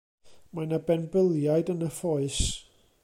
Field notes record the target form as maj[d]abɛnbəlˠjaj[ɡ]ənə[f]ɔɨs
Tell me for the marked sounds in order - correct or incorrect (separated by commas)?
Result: incorrect, incorrect, correct